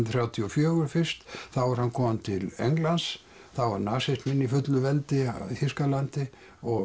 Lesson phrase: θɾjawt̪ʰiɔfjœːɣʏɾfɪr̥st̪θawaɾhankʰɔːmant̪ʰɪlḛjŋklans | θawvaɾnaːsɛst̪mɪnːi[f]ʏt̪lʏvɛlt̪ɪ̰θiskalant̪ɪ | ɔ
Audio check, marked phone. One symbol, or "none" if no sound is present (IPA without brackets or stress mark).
f